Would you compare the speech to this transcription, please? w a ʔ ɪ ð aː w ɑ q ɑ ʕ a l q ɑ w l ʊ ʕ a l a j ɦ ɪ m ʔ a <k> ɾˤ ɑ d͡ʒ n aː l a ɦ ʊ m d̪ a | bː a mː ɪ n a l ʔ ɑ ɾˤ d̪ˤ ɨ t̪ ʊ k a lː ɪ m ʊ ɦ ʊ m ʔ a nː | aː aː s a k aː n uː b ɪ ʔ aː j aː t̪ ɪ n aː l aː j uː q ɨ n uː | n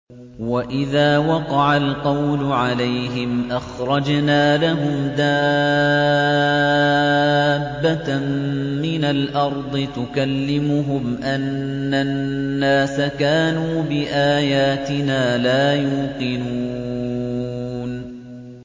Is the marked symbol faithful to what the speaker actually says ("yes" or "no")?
no